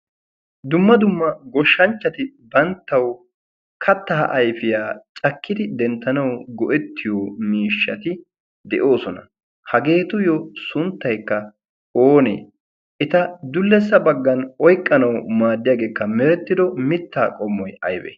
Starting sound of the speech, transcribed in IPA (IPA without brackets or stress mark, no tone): d̪